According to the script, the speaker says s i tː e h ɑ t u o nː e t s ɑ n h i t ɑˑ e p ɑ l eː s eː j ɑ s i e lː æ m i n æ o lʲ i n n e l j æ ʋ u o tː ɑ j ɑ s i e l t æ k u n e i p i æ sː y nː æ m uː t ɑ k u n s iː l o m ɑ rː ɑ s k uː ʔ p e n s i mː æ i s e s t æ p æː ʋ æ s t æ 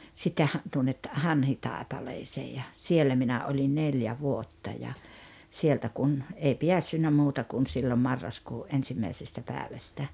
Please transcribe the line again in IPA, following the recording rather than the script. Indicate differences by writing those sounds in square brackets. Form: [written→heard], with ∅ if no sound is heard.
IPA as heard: s i tː e h ɑ t u o nː e t [s→h] ɑ n h i t ɑˑ e p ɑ l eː s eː j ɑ s i e lː æ m i n æ o lʲ i n n e l j æ ʋ u o tː ɑ j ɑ s i e l t æ k u n e i p i æ sː y nː æ m uː t ɑ k u n s iː l o m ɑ rː ɑ s k uː ʔ [p→ʔ] e n s i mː æ i s e s t æ p æː ʋ æ s t æ